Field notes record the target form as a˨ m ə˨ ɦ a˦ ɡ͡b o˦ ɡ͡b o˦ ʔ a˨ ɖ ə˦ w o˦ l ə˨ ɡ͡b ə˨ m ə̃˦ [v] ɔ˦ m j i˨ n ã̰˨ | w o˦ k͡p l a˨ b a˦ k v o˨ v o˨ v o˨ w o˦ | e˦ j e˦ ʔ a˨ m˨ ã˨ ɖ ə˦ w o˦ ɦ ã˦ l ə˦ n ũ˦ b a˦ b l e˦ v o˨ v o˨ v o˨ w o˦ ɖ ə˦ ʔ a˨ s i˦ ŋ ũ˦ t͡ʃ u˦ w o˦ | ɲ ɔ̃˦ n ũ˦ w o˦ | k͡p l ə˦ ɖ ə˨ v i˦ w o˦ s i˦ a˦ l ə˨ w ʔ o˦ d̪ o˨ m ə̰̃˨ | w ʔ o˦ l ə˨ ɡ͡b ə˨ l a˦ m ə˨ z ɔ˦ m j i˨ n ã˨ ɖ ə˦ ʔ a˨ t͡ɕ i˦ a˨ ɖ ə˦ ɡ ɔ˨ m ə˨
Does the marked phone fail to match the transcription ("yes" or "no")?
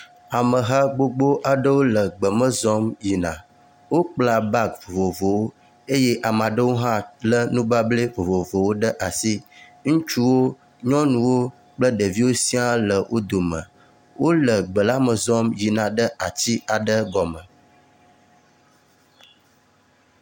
yes